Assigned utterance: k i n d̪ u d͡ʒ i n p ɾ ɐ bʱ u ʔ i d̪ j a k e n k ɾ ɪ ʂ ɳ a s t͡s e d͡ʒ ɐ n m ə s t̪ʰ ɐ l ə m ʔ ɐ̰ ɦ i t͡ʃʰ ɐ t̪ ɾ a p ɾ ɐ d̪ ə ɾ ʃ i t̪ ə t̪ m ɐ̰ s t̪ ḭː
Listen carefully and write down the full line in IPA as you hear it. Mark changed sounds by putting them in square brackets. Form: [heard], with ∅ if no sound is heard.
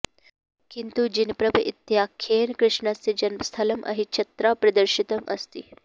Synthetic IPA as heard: k i n [t̪] u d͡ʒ i n p ɾ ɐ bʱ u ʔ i [t̪] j a [kʰ] e n k ɾ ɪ ʂ ɳ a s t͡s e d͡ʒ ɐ n m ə s t̪ʰ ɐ l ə m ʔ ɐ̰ ɦ i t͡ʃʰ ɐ t̪ ɾ a p ɾ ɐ d̪ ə ɾ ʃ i t̪ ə [∅] m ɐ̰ s t̪ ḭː